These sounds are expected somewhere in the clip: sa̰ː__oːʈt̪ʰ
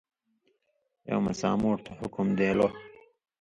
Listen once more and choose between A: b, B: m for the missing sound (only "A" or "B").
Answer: B